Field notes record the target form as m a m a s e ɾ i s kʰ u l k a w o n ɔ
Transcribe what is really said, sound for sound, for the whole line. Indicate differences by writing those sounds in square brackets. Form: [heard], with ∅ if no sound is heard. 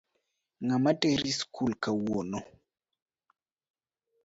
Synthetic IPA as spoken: [ŋ] a m a [t] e ɾ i s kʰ u l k a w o n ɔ